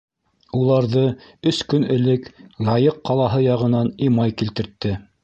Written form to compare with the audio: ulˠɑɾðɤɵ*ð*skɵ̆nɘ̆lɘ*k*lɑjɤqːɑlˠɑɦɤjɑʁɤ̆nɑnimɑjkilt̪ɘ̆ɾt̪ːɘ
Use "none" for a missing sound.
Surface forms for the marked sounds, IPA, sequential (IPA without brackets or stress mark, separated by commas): none, k